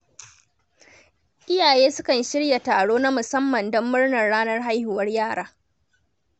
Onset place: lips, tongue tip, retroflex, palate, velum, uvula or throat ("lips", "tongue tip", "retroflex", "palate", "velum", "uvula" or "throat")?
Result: throat